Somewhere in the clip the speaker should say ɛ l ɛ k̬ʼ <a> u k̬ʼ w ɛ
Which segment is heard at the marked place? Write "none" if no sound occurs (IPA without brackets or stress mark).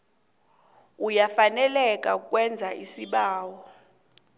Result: a